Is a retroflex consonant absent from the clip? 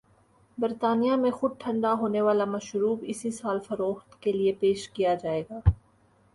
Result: no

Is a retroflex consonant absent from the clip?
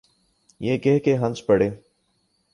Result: no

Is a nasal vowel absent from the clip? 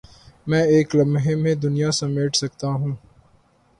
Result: no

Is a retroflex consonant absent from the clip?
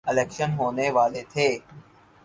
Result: yes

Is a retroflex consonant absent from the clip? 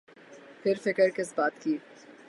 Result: yes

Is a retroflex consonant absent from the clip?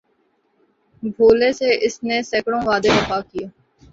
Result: no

